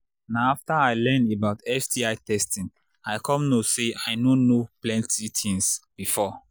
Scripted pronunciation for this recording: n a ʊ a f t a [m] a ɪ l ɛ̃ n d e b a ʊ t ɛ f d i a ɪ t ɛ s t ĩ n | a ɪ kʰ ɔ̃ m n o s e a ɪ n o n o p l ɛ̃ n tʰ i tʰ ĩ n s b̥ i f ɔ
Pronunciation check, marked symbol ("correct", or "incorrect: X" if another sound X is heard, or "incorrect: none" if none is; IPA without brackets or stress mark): incorrect: none